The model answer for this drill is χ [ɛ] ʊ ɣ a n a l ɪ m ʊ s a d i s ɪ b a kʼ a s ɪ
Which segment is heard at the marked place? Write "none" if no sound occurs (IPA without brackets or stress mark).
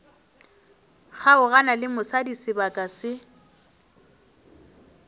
a